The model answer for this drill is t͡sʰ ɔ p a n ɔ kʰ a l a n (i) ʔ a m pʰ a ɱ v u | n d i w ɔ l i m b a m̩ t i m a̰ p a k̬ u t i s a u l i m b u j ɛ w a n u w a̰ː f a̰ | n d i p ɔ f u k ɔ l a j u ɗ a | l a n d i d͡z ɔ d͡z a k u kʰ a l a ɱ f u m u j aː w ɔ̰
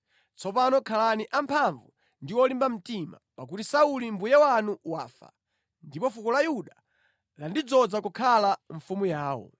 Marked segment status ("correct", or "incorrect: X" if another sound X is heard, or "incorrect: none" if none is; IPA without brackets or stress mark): correct